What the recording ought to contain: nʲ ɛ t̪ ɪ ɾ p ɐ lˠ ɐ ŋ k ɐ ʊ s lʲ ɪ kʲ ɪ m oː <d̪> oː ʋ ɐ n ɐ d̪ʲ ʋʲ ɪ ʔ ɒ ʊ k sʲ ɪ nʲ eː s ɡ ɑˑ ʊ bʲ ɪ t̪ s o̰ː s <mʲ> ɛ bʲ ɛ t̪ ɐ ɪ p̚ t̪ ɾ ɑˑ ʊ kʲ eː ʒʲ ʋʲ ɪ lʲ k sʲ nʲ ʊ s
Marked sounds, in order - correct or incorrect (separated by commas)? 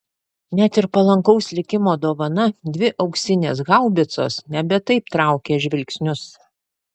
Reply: correct, incorrect